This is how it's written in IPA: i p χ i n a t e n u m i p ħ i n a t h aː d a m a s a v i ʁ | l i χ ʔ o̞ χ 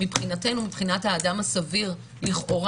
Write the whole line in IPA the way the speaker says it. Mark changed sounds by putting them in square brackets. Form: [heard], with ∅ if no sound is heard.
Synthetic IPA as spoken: i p χ i n a t e n u m i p [χ] i n a t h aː d a m a s a v i ʁ | l i χ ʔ o̞ [ʁ]